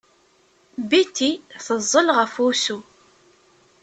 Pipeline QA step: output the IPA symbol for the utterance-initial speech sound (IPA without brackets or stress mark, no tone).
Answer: b